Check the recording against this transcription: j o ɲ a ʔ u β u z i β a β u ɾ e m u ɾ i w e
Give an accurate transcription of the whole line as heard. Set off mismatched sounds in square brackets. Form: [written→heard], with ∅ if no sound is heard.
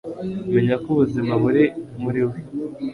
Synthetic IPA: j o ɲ a [ʔ→k] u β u z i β a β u ɾ e m u ɾ i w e